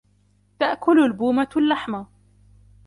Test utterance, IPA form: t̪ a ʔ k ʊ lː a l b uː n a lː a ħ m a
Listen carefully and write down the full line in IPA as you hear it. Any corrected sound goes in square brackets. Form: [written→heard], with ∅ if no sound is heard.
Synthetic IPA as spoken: t̪ a ʔ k ʊ [lː→l] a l b uː [n→m] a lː a ħ m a